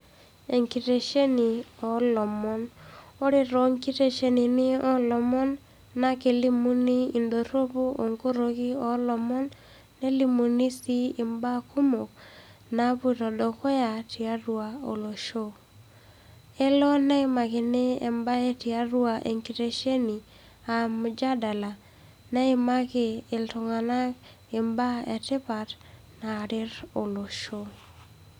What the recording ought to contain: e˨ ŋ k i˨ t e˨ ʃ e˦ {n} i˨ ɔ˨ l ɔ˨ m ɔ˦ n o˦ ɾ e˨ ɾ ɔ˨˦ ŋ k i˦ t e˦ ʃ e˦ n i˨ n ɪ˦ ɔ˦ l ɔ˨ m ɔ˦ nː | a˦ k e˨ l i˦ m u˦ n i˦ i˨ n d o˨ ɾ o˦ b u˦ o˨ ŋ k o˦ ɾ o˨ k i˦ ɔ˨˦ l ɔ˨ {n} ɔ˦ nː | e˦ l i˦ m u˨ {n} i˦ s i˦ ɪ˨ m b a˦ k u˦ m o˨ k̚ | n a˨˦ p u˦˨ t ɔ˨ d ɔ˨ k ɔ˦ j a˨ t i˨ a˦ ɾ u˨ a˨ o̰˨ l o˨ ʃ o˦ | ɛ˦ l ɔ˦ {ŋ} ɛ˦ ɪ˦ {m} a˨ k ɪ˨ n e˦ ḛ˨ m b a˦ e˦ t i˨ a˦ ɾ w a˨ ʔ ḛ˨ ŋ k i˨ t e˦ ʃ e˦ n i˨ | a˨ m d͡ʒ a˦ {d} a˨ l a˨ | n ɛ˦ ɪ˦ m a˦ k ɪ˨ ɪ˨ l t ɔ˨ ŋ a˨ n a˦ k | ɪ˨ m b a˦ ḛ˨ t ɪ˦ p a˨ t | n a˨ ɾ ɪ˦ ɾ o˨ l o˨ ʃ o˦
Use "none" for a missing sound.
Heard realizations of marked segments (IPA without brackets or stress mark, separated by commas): n, m, n, n, m, d